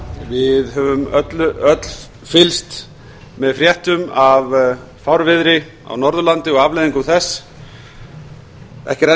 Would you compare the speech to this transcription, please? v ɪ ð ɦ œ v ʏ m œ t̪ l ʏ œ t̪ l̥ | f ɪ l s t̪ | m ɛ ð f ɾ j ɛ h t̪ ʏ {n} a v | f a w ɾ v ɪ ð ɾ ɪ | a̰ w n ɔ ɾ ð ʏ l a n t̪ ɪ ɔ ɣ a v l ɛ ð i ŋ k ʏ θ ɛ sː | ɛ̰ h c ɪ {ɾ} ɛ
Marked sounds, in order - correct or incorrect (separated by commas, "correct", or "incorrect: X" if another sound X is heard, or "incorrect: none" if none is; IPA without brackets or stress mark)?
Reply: incorrect: m, correct